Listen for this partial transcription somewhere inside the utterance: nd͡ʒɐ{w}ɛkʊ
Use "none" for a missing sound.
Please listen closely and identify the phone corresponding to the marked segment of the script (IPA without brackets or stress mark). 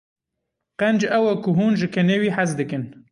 w